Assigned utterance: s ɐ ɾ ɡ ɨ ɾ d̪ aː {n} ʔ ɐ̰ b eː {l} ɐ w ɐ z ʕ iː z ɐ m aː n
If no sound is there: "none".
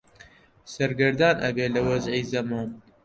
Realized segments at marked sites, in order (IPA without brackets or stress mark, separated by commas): n, l